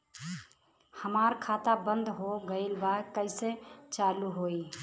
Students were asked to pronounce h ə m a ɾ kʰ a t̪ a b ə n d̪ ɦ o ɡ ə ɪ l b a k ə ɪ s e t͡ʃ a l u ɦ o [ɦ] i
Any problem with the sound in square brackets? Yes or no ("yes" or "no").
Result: yes